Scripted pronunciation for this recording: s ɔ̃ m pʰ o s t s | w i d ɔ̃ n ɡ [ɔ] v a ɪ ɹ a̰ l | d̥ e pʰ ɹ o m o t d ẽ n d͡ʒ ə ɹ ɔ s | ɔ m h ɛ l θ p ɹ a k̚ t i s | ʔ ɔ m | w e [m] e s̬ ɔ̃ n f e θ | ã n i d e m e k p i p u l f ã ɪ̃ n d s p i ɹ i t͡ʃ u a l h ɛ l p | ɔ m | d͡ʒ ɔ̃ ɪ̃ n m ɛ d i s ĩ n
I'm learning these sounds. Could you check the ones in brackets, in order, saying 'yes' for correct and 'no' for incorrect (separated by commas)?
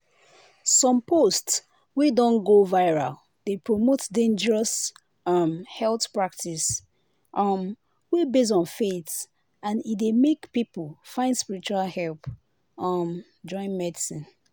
no, no